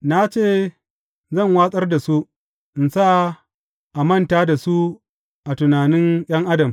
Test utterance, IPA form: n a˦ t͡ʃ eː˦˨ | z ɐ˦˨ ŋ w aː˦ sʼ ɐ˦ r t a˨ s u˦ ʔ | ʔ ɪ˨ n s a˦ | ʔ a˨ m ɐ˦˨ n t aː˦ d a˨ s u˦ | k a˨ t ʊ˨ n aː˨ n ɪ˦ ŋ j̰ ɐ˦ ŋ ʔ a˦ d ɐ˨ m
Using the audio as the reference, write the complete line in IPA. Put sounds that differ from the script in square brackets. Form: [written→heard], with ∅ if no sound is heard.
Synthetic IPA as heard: n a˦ t͡ʃ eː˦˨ | z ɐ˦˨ ŋ w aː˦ sʼ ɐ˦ r [t→d] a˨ s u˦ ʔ | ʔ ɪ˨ n s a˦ | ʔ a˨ m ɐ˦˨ n t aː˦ d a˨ s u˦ | [k→ʔ] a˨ t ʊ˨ n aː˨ n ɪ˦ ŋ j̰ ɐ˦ ŋ ʔ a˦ d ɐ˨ m